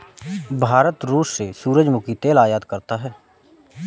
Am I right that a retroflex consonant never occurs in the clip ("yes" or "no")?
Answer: yes